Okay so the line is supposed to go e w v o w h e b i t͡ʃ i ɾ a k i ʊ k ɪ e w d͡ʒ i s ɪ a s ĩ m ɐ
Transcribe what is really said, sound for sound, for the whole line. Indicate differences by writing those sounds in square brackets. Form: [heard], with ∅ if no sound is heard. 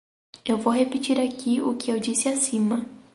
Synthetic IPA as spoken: e w v o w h e [p] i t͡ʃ i ɾ a k i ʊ k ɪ e w d͡ʒ i s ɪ a s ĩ m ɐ

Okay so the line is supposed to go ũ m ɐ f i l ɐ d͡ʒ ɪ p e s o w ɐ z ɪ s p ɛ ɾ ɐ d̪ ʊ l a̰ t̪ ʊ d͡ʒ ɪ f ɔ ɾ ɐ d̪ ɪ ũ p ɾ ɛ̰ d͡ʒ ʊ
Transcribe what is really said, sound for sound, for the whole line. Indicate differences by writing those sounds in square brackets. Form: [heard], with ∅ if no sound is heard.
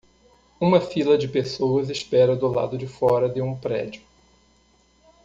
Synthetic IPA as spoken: ũ m ɐ f i l ɐ d͡ʒ ɪ p e s o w ɐ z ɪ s p ɛ ɾ ɐ d̪ ʊ l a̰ [d̪] ʊ d͡ʒ ɪ f ɔ ɾ ɐ d̪ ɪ ũ p ɾ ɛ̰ d͡ʒ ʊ

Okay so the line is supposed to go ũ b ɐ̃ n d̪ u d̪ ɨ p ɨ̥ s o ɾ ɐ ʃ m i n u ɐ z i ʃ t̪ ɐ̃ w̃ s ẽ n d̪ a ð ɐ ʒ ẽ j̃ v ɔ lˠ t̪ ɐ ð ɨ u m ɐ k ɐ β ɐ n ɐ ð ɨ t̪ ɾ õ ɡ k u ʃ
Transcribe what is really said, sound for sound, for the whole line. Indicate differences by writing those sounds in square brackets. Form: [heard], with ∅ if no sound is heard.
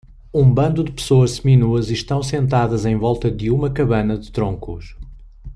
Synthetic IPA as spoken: ũ b ɐ̃ n d̪ u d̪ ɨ p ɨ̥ s o [∅] ɐ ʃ m i n u ɐ z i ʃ t̪ ɐ̃ w̃ s ẽ n [t̪] a ð ɐ [z] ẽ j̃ v ɔ lˠ t̪ ɐ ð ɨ u m ɐ k ɐ β ɐ n ɐ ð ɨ t̪ ɾ õ [ŋ] k u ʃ

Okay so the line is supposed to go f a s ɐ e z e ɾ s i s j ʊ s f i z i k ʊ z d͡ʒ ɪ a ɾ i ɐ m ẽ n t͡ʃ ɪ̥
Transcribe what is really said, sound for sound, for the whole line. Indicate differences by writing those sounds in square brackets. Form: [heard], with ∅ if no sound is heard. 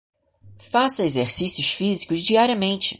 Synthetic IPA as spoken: f a s ɐ e z e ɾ s i s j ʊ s f i z i k ʊ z d͡ʒ [i] a ɾ i ɐ m ẽ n t͡ʃ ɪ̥

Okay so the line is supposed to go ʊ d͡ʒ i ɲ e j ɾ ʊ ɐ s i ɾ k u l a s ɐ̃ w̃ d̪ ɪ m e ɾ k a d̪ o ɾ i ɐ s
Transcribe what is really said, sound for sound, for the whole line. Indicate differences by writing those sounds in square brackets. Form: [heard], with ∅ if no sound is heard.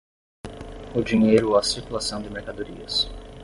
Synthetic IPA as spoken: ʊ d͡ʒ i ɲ e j ɾ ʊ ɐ s i ɾ k u l a s ɐ̃ w̃ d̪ ɪ m e ɾ k a d̪ o ɾ i ɐ s

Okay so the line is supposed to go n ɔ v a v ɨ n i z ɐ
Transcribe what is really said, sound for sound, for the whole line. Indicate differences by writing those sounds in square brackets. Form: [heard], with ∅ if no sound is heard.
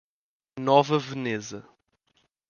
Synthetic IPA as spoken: n ɔ v [ɐ] v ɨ n [e] z ɐ

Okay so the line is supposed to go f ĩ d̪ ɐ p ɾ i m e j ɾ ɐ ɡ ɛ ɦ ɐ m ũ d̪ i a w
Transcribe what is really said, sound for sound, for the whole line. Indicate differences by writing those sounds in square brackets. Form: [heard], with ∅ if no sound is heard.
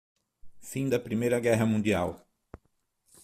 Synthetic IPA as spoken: f ĩ d̪ ɐ p ɾ i m e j ɾ ɐ ɡ ɛ ɦ ɐ m ũ d̪ i a w

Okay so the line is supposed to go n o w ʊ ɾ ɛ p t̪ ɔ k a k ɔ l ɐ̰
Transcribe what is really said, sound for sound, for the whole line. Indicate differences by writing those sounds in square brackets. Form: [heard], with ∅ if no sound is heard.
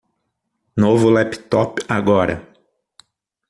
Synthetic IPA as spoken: n o [v] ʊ [l] ɛ p t̪ ɔ [p] a [ɡ] ɔ [ɾ] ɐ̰

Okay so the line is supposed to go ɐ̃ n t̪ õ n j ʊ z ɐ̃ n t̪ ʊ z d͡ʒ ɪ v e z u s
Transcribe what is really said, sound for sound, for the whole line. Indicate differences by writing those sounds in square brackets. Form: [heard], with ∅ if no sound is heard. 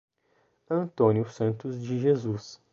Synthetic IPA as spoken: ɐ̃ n t̪ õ n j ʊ [s] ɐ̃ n t̪ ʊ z d͡ʒ ɪ [ʒ] e z u s

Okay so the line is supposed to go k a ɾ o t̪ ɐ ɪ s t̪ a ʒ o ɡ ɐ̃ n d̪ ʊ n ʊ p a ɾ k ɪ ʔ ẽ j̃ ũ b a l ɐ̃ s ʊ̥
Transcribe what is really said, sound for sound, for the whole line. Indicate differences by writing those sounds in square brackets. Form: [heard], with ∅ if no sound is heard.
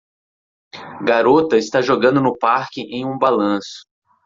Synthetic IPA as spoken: [ɡ] a ɾ o t̪ ɐ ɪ s t̪ a ʒ o ɡ ɐ̃ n d̪ ʊ n ʊ p a ɾ k ɪ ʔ ẽ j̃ ũ b a l ɐ̃ s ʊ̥

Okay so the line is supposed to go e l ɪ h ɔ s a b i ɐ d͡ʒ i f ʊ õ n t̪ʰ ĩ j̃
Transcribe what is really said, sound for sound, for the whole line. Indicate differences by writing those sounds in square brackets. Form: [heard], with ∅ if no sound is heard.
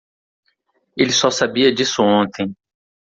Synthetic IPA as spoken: e l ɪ [s] ɔ s a b i ɐ d͡ʒ i [s] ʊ õ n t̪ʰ [ẽ] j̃

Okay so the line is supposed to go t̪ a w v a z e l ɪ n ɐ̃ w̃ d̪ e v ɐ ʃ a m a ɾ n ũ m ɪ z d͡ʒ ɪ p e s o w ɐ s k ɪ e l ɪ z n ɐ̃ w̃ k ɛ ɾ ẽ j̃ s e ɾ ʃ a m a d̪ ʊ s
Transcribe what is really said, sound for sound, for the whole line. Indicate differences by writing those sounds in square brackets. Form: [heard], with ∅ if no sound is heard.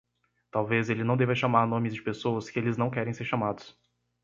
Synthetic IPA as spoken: t̪ a w v [e] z e l ɪ n ɐ̃ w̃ d̪ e v ɐ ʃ a m a ɾ n [õ] m ɪ z d͡ʒ ɪ p e s o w ɐ s k ɪ e l ɪ z n ɐ̃ w̃ k ɛ ɾ ẽ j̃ s e ɾ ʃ a m a d̪ ʊ s

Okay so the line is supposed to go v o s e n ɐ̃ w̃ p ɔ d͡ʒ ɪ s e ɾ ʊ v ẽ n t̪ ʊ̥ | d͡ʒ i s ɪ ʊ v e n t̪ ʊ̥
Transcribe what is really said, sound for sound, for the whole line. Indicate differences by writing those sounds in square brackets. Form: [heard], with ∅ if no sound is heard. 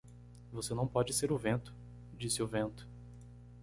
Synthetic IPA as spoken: v o s e n ɐ̃ w̃ p ɔ d͡ʒ ɪ s e ɾ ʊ v ẽ n t̪ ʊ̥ | d͡ʒ i s ɪ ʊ v [ẽ] n t̪ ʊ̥

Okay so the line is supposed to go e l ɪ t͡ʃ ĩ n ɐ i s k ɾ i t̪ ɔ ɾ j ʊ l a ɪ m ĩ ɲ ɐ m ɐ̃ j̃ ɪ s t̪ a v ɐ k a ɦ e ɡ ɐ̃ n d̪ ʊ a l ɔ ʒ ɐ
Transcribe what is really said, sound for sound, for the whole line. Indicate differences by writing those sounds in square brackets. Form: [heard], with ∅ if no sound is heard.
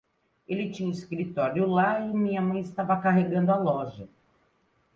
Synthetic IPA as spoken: e l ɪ t͡ʃ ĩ [ɲ] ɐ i s k ɾ i t̪ ɔ ɾ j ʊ l a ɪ m ĩ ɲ ɐ m ɐ̃ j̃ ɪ s t̪ a v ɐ k a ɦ e ɡ ɐ̃ n d̪ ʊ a l ɔ ʒ ɐ

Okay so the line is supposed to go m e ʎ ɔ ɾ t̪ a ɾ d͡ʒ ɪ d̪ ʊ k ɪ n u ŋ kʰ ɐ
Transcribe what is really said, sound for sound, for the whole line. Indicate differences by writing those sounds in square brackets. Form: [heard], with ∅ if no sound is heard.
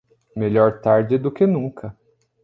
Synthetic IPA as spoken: m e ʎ ɔ ɾ t̪ a ɾ d͡ʒ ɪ d̪ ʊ k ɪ n [ũ] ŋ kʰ ɐ

